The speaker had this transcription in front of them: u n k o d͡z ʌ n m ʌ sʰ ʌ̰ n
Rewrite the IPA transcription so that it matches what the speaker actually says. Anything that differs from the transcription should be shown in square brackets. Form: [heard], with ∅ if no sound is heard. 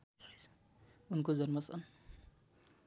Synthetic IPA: u n k o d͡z ʌ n m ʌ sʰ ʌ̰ n